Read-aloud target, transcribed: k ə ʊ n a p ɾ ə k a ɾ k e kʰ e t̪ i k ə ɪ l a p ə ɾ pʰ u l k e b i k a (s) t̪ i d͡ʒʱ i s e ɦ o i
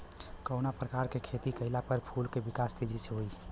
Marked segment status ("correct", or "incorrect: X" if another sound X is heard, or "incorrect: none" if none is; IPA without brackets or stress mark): correct